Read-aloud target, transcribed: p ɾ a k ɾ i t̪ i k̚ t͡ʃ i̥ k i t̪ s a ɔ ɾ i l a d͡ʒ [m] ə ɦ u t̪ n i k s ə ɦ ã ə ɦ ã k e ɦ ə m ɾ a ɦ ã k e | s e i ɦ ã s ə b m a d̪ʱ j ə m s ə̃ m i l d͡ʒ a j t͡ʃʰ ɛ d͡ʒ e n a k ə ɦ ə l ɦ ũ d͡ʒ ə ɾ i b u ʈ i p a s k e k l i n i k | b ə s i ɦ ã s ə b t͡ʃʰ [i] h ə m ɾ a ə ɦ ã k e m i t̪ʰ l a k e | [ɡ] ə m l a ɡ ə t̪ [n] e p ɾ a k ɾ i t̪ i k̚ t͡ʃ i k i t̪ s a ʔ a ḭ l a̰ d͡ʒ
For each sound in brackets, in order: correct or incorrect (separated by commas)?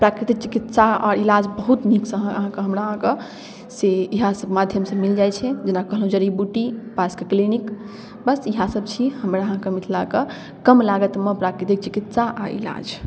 incorrect, correct, incorrect, incorrect